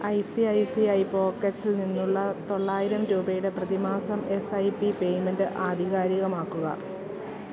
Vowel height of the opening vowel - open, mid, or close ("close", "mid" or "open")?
open